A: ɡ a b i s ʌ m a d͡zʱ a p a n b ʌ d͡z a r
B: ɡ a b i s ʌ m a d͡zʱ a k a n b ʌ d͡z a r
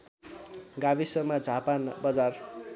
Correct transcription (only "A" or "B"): A